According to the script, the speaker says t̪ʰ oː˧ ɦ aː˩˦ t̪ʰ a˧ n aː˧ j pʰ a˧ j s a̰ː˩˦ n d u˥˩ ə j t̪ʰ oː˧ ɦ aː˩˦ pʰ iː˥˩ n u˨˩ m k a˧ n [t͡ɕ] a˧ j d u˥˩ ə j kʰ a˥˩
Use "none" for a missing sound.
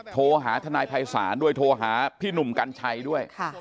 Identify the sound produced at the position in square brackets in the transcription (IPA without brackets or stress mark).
t͡ɕʰ